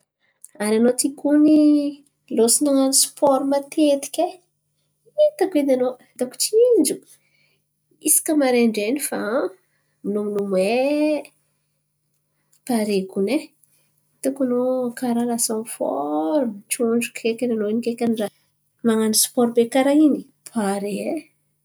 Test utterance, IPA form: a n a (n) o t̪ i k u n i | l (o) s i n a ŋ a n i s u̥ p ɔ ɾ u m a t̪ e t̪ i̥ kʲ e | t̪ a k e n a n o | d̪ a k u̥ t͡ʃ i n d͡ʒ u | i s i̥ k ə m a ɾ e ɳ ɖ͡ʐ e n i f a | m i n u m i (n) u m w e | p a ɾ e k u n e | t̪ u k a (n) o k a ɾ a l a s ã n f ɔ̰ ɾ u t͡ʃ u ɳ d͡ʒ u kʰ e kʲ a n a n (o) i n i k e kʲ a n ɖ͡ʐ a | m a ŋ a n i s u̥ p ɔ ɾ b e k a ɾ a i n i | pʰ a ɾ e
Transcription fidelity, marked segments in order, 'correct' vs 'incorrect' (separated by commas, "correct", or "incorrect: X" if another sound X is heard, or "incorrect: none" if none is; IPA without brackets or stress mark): correct, correct, correct, correct, correct